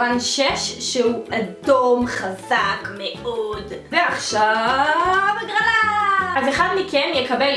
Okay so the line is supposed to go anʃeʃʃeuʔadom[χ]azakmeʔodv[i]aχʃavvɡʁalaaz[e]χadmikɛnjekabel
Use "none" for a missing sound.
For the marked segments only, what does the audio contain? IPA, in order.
χ, e, e

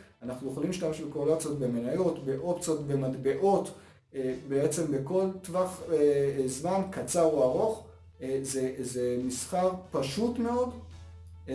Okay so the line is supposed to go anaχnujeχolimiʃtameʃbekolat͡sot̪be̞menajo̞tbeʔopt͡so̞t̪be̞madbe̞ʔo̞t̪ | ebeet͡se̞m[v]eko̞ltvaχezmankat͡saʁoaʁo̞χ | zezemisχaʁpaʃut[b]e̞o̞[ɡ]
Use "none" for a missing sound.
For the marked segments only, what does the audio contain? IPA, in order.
b, m, d

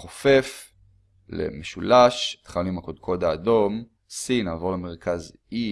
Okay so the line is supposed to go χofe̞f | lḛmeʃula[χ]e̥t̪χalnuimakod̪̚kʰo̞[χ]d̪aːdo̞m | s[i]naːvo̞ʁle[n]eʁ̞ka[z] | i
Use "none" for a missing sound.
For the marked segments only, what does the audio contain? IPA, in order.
ʃ, none, i, m, z

